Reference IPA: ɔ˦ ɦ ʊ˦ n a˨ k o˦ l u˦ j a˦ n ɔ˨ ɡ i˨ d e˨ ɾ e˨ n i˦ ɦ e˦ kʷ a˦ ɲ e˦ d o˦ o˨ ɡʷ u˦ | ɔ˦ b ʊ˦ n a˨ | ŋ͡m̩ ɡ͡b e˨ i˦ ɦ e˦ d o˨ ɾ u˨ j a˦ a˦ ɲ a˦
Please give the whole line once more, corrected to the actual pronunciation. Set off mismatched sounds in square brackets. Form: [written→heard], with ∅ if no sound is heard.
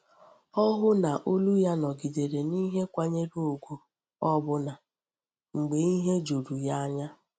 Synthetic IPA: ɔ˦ ɦ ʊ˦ n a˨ [k→ʔ] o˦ l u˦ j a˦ n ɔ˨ ɡ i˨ d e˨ ɾ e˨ n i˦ ɦ e˦ kʷ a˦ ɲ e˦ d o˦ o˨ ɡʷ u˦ | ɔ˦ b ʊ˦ n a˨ | ŋ͡m̩ ɡ͡b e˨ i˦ ɦ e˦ [d→d͡ʒ] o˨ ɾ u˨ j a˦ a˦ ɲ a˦